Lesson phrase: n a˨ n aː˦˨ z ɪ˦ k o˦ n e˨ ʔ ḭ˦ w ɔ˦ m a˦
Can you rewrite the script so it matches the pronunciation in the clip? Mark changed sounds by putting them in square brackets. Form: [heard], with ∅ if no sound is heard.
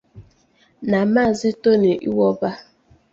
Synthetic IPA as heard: n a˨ [m] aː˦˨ z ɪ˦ [t] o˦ n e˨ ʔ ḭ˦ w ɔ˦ [b] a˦